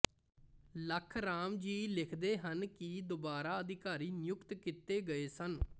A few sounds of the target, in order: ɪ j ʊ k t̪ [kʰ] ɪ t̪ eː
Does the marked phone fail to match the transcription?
yes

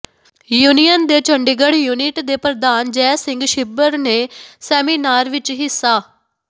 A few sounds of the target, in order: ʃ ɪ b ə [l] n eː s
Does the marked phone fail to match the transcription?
yes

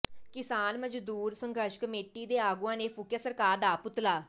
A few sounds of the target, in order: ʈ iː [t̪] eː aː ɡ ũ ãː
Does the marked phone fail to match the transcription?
yes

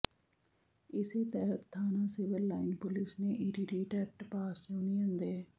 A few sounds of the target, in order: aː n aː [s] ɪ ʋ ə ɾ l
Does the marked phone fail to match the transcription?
no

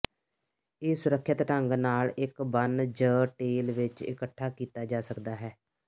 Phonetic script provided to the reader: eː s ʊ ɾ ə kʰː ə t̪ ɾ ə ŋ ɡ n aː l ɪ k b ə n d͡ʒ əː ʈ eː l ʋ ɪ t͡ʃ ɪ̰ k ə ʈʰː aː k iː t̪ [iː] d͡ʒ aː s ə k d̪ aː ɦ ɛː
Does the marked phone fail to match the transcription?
yes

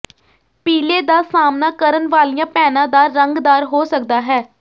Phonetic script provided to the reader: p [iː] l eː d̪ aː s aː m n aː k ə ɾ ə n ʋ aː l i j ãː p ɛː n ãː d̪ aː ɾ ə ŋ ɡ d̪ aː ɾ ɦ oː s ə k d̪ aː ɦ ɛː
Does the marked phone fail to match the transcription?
no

